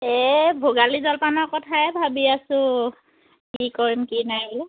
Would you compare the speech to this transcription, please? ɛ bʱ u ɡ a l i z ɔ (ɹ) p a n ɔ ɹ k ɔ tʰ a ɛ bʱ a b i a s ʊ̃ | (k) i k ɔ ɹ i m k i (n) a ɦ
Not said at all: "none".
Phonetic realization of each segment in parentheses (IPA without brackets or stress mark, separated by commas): l, k, n